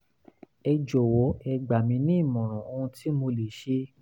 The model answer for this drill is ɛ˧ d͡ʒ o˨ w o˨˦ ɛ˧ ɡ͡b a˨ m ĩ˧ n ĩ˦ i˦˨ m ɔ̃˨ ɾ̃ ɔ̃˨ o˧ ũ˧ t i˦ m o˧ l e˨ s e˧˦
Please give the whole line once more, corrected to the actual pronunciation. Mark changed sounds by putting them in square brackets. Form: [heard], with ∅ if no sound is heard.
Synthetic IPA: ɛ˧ d͡ʒ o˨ w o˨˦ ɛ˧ ɡ͡b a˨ m ĩ˧ n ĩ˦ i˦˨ m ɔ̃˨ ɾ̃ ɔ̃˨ o˧ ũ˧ t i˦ m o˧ l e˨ [ʃ] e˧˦